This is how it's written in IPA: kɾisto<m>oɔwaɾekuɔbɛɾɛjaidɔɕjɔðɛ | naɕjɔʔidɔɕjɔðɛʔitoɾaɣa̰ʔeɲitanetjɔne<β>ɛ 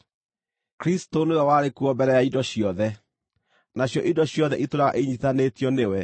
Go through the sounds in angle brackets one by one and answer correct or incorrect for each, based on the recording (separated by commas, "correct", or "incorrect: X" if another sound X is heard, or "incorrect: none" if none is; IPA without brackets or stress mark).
incorrect: n, incorrect: w